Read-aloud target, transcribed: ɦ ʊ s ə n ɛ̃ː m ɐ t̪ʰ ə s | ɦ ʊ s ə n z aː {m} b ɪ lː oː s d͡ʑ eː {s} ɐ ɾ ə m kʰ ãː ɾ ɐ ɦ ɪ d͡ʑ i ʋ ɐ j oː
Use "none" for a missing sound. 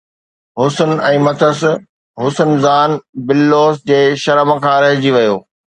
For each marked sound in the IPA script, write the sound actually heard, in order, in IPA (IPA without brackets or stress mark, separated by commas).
n, ʃ